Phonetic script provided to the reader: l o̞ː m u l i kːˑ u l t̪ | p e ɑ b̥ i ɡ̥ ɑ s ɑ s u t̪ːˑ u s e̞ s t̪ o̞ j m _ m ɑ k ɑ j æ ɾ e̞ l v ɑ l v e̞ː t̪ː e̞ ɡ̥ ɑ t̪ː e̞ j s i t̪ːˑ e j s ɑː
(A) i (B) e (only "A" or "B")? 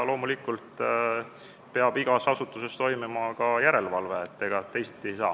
A